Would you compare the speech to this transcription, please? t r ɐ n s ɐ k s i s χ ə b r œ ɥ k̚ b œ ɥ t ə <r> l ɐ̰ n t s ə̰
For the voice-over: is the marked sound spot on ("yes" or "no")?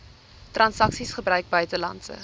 no